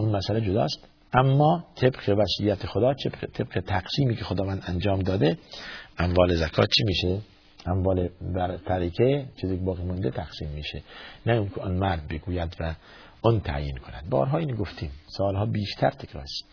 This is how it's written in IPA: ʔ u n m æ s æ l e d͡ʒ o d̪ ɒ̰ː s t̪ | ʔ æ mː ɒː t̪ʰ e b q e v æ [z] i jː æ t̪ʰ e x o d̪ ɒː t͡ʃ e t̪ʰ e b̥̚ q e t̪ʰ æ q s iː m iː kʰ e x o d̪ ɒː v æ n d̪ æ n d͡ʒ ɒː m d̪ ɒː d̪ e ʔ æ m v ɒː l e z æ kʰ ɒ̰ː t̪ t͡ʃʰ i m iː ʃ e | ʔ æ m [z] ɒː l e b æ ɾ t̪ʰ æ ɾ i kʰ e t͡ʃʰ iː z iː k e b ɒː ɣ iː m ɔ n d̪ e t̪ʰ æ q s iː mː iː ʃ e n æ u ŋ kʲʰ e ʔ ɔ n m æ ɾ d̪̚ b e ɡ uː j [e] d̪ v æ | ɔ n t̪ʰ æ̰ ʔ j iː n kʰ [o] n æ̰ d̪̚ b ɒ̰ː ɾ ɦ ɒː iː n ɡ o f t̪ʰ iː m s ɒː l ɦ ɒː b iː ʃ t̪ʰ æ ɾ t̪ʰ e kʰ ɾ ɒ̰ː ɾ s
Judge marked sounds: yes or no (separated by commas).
no, no, no, yes